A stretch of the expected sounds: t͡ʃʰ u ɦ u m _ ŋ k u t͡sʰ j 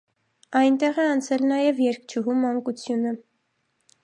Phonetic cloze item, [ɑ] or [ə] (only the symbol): ɑ